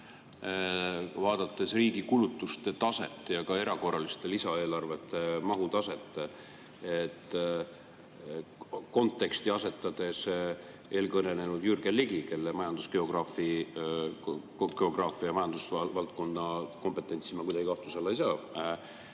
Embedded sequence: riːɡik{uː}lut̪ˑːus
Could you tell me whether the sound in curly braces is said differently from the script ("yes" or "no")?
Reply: yes